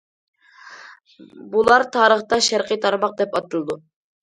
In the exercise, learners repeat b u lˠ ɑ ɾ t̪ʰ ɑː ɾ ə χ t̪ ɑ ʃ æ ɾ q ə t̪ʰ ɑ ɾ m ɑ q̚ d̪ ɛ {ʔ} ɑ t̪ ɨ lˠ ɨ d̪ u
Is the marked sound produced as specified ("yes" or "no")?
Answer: no